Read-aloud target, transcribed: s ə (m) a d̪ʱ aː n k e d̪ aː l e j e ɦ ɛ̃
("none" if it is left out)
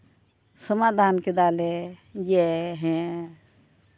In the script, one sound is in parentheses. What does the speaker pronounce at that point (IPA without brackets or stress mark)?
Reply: m